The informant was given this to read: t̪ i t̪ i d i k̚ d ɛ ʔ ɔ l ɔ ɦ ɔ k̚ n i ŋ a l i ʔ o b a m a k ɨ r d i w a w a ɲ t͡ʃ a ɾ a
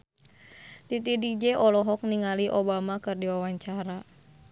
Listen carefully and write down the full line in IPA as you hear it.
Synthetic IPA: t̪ i t̪ i d i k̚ d͡ʒ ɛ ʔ ɔ l ɔ ɦ ɔ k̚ n i ŋ a l i ʔ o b a m a k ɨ r d i w a w a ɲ t͡ʃ a ɾ a